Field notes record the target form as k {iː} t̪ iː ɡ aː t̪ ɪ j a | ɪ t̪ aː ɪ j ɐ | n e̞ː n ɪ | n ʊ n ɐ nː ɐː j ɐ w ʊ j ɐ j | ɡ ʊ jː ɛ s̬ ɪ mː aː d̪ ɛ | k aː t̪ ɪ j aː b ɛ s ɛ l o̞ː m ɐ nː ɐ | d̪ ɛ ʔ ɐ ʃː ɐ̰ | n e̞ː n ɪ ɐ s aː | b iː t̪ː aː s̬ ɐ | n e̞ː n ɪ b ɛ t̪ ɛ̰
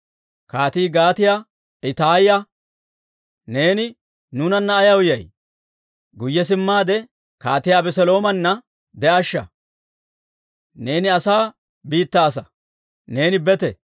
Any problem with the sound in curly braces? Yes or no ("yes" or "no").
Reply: yes